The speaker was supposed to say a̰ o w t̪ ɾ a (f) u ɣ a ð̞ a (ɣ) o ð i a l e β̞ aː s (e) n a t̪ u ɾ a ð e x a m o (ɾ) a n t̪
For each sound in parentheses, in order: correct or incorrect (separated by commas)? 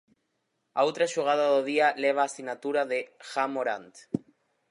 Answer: incorrect, incorrect, incorrect, correct